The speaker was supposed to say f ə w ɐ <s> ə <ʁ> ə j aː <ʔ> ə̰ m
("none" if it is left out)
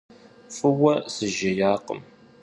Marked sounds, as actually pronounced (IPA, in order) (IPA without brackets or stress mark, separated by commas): s, ʒ, q